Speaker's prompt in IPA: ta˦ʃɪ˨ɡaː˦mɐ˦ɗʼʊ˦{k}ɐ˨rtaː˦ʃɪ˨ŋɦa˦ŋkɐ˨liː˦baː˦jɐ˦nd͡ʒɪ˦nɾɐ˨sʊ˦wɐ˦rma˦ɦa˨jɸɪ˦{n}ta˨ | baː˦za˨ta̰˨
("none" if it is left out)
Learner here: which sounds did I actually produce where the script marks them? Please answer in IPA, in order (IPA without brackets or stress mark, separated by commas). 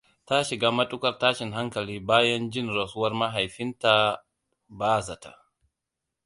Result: k, n